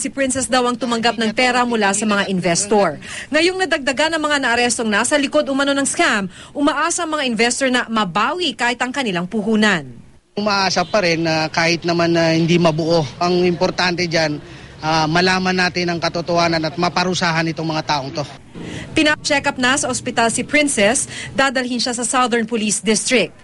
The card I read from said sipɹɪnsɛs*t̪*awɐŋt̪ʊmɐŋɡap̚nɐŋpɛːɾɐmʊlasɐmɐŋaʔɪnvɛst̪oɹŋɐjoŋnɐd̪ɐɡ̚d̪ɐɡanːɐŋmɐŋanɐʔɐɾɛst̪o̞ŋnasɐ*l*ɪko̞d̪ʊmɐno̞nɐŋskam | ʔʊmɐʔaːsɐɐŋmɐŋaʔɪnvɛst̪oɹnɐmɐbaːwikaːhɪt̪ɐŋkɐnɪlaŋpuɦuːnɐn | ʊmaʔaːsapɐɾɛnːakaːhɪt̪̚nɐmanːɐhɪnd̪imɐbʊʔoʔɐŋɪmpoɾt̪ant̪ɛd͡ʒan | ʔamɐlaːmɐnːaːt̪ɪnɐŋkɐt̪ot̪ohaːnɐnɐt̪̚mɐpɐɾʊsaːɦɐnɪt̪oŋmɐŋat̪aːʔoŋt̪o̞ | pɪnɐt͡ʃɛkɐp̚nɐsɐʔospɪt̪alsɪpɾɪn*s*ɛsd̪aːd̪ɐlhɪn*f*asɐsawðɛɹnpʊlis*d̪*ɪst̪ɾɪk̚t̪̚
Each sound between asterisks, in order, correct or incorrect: incorrect, correct, correct, incorrect, correct

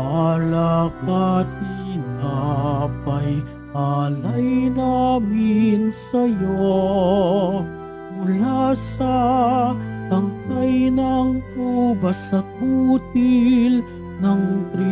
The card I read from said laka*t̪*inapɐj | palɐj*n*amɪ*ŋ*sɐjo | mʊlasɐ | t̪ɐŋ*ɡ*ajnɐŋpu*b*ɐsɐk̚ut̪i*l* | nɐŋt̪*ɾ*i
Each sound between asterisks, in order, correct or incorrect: correct, correct, incorrect, incorrect, correct, correct, correct

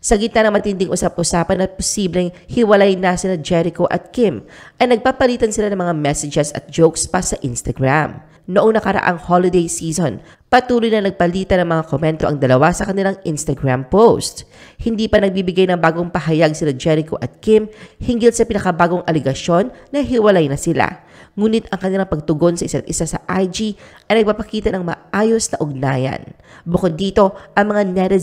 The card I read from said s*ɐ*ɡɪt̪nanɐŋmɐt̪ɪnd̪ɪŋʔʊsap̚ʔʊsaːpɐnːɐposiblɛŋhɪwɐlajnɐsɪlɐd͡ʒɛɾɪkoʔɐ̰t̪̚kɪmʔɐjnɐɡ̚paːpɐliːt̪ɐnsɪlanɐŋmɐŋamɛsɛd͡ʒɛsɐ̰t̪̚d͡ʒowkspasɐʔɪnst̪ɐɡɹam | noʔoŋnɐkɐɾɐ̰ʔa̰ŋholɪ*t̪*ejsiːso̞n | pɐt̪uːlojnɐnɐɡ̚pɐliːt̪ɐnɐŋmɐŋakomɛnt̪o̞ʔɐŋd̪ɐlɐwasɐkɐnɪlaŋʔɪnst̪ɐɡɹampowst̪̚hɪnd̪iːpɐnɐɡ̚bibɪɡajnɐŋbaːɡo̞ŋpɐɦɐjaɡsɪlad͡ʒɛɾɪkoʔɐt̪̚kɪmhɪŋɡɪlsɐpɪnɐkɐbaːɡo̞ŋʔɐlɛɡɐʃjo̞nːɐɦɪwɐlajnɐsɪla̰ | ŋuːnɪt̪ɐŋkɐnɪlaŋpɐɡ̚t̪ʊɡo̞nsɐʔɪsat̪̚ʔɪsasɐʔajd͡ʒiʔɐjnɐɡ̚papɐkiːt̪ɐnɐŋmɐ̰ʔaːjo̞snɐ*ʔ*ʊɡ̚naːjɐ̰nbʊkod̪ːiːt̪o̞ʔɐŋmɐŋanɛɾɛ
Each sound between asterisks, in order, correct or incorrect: correct, incorrect, correct

